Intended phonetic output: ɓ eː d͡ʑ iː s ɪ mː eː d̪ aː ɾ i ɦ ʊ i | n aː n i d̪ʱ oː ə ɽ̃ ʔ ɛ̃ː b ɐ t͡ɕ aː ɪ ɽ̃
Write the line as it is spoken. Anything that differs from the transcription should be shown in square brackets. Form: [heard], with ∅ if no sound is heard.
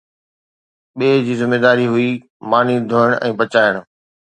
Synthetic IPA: ɓ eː d͡ʑ iː [z] ɪ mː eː d̪ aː ɾ i ɦ ʊ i | [m] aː n i d̪ʱ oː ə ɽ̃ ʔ ɛ̃ː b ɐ t͡ɕ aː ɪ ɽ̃